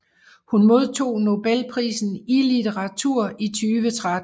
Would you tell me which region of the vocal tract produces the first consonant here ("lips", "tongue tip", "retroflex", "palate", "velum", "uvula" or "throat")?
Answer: throat